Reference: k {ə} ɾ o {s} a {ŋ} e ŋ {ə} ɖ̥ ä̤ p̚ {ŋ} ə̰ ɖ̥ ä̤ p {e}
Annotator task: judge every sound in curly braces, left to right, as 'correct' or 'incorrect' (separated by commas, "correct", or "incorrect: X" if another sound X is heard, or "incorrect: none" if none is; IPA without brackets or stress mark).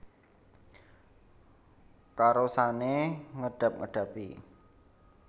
incorrect: a, correct, incorrect: n, correct, correct, incorrect: i